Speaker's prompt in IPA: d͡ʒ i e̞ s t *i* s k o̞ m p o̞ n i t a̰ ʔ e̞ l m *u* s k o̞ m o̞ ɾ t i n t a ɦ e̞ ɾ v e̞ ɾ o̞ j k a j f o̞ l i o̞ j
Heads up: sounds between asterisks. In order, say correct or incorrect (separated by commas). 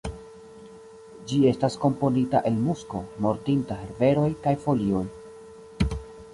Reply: incorrect, correct